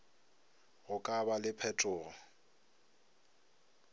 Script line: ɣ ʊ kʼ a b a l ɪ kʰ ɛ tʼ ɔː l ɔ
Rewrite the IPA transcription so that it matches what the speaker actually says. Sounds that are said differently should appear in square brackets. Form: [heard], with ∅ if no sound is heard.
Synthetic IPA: ɣ ʊ kʼ a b a l ɪ [pʰ] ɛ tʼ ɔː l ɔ